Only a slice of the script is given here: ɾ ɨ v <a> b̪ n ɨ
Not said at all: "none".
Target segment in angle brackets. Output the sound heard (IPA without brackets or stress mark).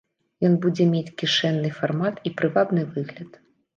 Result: a